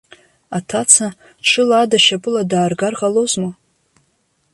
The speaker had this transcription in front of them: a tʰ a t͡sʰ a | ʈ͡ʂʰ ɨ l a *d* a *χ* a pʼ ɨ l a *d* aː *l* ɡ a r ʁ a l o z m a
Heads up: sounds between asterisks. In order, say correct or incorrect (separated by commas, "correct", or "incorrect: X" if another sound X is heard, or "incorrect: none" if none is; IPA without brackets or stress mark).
correct, incorrect: ʃ, correct, incorrect: r